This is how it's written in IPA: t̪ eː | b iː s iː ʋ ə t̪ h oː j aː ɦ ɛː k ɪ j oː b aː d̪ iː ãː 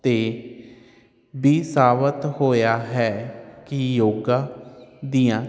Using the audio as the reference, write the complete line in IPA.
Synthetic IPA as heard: t̪ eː | b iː s aː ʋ ə t̪ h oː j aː ɦ ɛː k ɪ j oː ɡ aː d̪ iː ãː